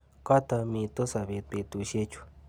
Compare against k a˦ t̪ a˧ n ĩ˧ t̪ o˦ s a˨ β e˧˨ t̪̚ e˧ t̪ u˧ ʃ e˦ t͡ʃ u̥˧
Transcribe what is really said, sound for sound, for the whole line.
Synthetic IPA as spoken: k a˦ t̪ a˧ m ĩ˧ t̪ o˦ s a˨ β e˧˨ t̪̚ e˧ t̪ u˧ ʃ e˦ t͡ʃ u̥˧

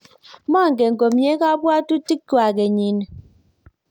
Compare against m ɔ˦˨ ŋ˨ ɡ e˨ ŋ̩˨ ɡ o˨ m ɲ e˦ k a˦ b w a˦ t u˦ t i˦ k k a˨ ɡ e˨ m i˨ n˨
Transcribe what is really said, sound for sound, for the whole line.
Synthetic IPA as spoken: m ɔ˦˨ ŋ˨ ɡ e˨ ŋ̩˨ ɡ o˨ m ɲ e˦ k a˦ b w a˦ t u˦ t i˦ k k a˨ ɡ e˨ ɲ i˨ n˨

